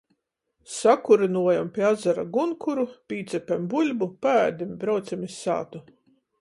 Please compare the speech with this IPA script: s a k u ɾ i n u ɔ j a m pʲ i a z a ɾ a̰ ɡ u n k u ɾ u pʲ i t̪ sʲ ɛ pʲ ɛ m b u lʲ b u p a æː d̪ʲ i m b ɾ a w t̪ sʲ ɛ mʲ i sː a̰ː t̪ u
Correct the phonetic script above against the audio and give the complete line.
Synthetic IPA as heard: s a k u ɾ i n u ɔ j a m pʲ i a z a ɾ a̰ ɡ u n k u ɾ u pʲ iː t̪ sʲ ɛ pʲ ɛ m b u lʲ b u p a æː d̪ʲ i m b ɾ a w t̪ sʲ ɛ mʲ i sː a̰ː t̪ u